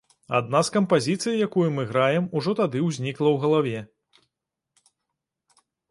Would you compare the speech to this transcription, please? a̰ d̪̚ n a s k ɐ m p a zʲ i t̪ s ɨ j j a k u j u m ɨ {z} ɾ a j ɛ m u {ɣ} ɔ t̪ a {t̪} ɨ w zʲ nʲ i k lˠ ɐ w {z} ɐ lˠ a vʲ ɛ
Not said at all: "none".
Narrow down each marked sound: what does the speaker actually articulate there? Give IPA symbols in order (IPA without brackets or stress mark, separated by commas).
ɣ, ʐ, d̪, ɣ